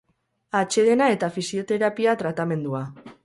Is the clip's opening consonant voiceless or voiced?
voiceless